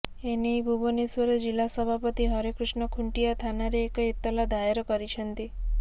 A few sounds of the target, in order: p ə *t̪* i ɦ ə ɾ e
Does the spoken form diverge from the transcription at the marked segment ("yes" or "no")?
no